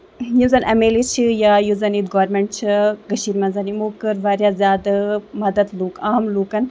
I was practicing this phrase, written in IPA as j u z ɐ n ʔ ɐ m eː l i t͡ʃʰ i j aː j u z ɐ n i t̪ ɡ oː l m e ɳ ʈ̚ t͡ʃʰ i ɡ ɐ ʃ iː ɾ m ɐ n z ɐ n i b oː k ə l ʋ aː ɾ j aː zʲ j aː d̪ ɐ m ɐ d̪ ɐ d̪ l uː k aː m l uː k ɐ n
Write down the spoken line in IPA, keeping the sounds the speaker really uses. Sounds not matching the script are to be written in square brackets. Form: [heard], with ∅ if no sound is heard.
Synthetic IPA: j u z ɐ n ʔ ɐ m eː l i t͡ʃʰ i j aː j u z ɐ n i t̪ ɡ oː [ɾ] m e ɳ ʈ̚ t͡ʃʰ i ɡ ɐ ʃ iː ɾ m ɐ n z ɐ n i [m] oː k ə [ɾ] ʋ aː ɾ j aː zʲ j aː d̪ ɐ m ɐ d̪ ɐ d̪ l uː k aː m l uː k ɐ n